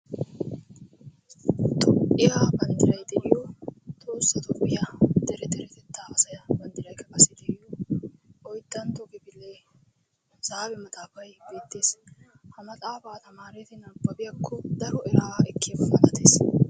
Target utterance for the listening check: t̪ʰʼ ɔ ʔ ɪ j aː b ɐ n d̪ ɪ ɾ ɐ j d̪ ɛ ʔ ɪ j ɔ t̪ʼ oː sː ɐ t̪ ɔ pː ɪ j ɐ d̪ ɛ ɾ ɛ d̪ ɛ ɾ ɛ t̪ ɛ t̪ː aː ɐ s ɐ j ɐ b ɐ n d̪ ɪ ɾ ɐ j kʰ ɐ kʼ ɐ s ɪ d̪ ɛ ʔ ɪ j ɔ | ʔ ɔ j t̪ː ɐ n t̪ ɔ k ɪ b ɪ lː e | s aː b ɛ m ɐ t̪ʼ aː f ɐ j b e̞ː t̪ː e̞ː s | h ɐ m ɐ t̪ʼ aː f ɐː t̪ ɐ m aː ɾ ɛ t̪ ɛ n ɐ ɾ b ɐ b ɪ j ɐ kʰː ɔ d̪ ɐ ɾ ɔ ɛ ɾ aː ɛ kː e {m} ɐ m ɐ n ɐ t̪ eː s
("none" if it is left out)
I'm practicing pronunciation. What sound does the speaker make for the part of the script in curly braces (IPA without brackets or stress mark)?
b